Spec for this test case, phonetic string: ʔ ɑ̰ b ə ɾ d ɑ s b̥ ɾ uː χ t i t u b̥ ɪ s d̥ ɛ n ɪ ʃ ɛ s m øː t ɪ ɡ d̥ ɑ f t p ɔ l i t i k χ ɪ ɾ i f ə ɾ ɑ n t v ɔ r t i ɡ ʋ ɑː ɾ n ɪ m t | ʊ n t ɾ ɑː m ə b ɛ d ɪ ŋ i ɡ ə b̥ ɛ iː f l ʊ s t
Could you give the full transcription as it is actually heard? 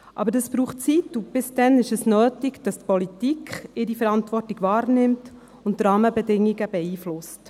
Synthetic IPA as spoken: ʔ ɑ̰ b ə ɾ d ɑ s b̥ ɾ uː χ t͡s i t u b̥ ɪ s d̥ ɛ n ɪ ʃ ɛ s n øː t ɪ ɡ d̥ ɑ s t p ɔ l i t i k χ ɪ ɾ i f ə ɾ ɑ n t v ɔ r t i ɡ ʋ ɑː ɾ n ɪ m t | ʊ n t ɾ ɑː m ə b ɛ d ɪ ŋ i ɡ ə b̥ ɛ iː f l ʊ s t